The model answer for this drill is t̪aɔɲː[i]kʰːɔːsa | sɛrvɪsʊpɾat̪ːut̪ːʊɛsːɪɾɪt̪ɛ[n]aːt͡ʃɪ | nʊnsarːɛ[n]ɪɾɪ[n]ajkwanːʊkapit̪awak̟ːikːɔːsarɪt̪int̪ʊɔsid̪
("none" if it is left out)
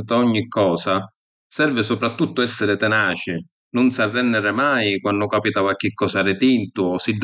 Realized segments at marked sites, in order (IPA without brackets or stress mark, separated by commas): i, n, nː, m